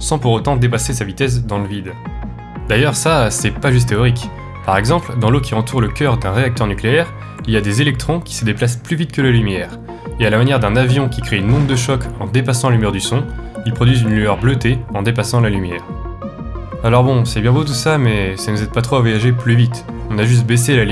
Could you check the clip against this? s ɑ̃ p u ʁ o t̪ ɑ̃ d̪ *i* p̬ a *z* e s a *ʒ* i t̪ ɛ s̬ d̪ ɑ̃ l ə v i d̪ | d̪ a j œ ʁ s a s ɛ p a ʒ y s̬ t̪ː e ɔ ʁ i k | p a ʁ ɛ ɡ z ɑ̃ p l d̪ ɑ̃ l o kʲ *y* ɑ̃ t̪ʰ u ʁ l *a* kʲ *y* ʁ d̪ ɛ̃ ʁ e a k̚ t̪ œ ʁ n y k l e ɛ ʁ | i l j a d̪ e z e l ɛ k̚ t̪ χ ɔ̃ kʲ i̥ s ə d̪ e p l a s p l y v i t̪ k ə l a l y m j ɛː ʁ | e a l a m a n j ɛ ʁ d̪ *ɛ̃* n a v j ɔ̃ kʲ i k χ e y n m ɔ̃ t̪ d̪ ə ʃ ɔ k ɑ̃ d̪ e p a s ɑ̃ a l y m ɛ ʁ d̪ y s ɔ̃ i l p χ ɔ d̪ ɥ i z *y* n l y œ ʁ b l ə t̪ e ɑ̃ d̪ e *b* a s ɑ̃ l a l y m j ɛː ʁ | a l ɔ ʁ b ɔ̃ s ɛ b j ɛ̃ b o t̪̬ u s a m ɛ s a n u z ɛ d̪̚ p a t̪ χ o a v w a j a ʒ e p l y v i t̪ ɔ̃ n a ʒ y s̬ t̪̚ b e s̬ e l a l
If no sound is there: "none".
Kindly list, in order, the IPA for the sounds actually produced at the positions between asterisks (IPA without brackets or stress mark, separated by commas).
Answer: e, s, v, i, ə, œ, ɛ̃, y, p